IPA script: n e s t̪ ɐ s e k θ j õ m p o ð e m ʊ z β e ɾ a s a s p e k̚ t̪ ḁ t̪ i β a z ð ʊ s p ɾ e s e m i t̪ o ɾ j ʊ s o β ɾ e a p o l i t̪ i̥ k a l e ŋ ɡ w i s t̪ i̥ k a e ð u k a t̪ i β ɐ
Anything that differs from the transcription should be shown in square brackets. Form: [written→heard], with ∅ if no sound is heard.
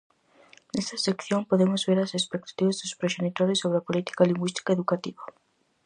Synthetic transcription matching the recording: n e s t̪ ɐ s e k θ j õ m p o ð e m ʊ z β e ɾ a s [a→e] s p e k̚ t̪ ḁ t̪ i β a z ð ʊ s p ɾ e [s→ʃ] e [m→n] i t̪ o ɾ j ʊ s o β ɾ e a p o l i t̪ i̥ k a l [e→i] ŋ ɡ w i s t̪ i̥ k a e ð u k a t̪ i β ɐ